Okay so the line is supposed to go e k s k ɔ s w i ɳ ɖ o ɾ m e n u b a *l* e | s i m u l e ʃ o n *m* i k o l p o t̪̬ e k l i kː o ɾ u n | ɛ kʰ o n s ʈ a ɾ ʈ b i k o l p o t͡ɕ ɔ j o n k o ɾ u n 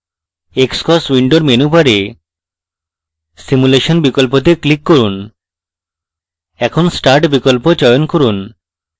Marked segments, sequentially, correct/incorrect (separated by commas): incorrect, incorrect